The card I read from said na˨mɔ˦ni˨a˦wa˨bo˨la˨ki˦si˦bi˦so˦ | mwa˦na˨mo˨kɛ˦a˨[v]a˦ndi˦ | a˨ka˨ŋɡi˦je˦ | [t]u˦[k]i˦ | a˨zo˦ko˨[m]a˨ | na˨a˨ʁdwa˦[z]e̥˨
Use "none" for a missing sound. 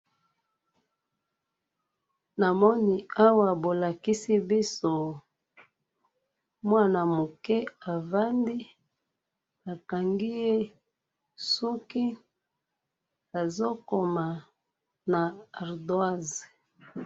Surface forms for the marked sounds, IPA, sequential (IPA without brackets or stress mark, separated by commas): v, s, k, m, z